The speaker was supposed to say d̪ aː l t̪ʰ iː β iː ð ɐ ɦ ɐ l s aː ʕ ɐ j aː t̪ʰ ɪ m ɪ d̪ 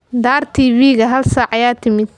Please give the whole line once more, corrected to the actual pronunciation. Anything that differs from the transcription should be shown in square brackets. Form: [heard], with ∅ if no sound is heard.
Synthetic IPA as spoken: d̪ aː [r] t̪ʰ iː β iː [ɣ] ɐ ɦ ɐ l s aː ʕ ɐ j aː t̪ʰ ɪ m ɪ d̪